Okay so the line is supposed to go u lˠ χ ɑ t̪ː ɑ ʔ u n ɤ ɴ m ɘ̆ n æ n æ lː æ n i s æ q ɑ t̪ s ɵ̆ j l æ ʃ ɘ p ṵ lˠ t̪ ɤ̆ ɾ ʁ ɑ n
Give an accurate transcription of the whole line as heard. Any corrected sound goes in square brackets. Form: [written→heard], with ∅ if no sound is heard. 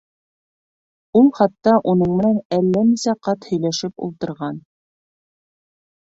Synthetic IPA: u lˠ χ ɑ t̪ː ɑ ʔ u n ɤ ɴ m ɘ̆ n æ n æ lː æ n i s æ q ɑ t̪ [s→h] ɵ̆ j l æ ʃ ɘ p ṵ lˠ t̪ ɤ̆ ɾ ʁ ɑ n

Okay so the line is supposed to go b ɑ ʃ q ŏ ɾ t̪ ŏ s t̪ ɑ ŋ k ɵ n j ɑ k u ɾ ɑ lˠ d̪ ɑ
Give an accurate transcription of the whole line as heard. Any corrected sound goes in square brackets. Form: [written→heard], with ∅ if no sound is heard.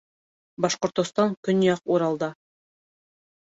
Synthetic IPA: b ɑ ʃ q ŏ ɾ t̪ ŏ s t̪ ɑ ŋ k ɵ n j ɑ [k→q] u ɾ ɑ lˠ d̪ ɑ

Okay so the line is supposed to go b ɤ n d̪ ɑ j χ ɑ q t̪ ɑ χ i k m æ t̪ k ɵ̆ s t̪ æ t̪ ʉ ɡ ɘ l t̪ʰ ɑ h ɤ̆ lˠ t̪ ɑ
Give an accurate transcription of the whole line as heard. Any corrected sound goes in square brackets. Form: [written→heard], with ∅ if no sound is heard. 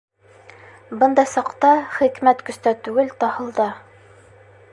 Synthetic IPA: b ɤ n d̪ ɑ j [χ→s] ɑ q t̪ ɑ χ i k m æ t̪ k ɵ̆ s t̪ æ t̪ ʉ ɡ ɘ l [t̪ʰ→t̪] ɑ h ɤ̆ lˠ [t̪→d̪] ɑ

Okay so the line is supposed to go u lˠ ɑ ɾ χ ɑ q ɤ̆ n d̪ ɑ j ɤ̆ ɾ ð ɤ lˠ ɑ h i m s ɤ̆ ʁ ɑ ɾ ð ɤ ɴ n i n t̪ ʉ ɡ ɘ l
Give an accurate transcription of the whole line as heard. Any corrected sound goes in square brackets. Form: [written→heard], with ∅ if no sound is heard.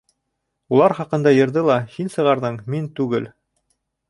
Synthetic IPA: u lˠ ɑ ɾ χ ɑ q ɤ̆ n d̪ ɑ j ɤ̆ ɾ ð ɤ lˠ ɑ h i [m→n] s ɤ̆ ʁ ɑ ɾ ð ɤ ɴ [n→m] i n t̪ ʉ ɡ ɘ l

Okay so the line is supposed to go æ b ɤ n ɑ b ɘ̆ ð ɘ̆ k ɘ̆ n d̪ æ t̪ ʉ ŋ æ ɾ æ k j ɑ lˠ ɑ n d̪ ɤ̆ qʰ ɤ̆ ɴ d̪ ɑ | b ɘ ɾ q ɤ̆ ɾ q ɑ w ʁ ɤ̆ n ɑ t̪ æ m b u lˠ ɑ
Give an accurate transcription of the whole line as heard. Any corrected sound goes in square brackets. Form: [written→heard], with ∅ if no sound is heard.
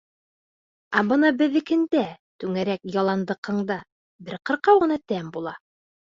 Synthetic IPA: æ b ɤ n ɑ b ɘ̆ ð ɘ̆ k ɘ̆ n d̪ æ t̪ ʉ ŋ æ ɾ æ k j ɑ lˠ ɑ n d̪ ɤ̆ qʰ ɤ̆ ɴ d̪ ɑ | b ɘ ɾ q ɤ̆ ɾ q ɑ w ʁ ɤ̆ n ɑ t̪ æ m b u lˠ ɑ

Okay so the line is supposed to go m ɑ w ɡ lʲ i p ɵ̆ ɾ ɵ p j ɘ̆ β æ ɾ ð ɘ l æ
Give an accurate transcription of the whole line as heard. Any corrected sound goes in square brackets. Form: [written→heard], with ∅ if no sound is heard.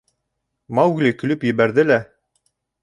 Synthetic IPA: m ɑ w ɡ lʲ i [p→k] ɵ̆ [ɾ→l] ɵ p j ɘ̆ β æ ɾ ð ɘ l æ

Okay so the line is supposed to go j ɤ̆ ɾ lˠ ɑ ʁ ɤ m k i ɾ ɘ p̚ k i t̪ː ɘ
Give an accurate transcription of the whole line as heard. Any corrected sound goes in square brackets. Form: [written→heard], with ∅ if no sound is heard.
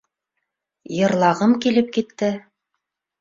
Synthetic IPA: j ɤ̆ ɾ lˠ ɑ ʁ ɤ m k i [ɾ→l] ɘ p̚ k i t̪ː ɘ

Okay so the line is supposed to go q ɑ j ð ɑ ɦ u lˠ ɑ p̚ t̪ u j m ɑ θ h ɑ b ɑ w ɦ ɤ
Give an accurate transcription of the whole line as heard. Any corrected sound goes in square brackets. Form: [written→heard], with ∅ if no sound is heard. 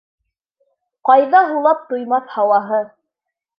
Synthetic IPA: q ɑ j ð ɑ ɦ u lˠ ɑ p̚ t̪ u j m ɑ θ h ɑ [b→w] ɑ [w→∅] ɦ ɤ

